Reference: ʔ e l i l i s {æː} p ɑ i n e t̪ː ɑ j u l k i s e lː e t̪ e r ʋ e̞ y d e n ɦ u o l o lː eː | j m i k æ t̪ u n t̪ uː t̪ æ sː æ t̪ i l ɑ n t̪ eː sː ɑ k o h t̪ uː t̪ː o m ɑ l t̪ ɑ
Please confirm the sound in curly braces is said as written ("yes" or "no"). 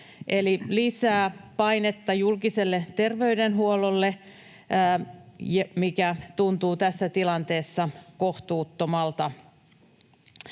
yes